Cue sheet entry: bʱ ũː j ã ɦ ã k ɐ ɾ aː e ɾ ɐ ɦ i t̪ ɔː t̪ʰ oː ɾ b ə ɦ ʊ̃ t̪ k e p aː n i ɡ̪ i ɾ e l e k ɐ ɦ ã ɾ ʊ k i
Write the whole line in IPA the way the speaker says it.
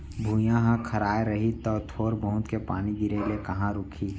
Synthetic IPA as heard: bʱ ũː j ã ɦ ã kʰ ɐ ɾ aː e ɾ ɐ ɦ i t̪ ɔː t̪ʰ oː ɾ b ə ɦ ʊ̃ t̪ k e p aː n i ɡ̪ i ɾ e l e k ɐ ɦ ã ɾ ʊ kʰ i

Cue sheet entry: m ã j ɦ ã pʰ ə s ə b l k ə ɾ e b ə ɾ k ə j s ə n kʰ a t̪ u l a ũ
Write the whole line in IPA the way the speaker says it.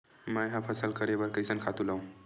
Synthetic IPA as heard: m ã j ɦ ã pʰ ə s ə l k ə ɾ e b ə ɾ k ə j s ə n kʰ a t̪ u l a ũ

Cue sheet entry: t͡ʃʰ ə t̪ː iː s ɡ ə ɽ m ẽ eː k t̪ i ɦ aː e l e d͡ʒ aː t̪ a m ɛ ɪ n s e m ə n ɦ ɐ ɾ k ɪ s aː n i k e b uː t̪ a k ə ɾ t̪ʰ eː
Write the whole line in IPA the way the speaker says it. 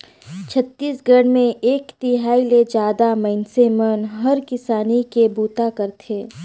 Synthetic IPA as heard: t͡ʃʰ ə t̪ː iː s ɡ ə ɽ m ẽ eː k t̪ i ɦ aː i l e d͡ʒ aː d̪ a m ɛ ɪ n s e m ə n ɦ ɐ ɾ k ɪ s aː n i k e b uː t̪ a k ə ɾ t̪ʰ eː

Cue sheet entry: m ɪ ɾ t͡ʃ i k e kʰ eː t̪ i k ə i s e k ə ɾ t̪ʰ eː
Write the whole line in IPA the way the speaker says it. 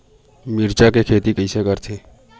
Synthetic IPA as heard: m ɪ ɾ t͡ʃ a k e kʰ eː t̪ i k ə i s e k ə ɾ t̪ʰ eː

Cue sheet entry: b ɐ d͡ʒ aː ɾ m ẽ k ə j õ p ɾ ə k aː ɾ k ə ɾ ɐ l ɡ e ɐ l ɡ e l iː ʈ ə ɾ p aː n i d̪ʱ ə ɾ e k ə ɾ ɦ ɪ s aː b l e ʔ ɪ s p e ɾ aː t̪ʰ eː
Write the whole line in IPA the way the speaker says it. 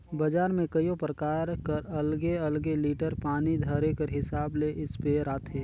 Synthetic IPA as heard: b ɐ d͡ʒ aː ɾ m ẽ k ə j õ p ɾ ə k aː ɾ k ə ɾ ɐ l ɡ e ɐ l ɡ e l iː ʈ ə ɾ p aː n i d̪ʱ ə ɾ e k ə ɾ ɦ ɪ s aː b l e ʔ ɪ s p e ɾ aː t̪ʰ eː

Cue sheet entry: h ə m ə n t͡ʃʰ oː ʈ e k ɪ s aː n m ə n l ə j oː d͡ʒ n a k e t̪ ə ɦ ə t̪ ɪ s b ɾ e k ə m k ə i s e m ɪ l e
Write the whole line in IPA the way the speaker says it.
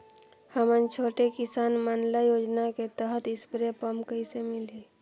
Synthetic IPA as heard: h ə m ə n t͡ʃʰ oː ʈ e k ɪ s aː n m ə n l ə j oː d͡ʒ n a k e t̪ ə ɦ ə t̪ ɪ s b ɾ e p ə m k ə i s e m ɪ l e

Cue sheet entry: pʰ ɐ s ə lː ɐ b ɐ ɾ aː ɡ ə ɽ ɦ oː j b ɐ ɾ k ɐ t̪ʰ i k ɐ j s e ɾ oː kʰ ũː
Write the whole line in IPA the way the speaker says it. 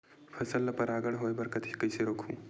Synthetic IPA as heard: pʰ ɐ s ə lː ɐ p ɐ ɾ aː ɡ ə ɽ ɦ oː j b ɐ ɾ k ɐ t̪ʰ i k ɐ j s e ɾ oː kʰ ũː

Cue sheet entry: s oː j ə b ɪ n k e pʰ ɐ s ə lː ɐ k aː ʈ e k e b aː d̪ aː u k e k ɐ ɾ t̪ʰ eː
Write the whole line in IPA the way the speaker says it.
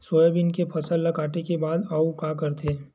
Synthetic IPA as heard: s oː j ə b ɪ n k e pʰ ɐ s ə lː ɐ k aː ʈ e k e b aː d̪ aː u k a k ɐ ɾ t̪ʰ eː

